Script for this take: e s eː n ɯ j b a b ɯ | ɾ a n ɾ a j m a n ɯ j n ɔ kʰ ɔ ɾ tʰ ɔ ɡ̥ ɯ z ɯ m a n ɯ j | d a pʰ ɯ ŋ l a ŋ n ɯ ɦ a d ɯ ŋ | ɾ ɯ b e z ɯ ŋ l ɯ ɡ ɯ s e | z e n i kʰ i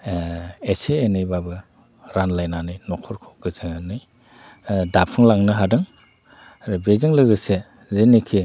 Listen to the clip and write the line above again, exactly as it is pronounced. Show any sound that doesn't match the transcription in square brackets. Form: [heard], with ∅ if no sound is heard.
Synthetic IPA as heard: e s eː n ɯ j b a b ɯ | ɾ a n [l] a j [n] a n ɯ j n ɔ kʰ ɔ ɾ [kʰ] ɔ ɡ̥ ɯ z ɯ [ŋ] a n ɯ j | d a pʰ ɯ ŋ l a ŋ n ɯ ɦ a d ɯ ŋ | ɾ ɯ b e z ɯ ŋ l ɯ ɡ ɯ s e | z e n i kʰ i